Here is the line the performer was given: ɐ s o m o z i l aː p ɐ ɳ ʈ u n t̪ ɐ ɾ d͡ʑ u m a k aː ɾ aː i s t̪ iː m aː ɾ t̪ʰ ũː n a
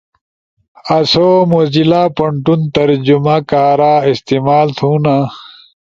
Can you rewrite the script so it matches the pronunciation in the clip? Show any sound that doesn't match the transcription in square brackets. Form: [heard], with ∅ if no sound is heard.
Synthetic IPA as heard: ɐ s o m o z i l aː p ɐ ɳ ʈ u n t̪ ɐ ɾ d͡ʑ u m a k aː ɾ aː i s t̪ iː m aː [l] t̪ʰ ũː n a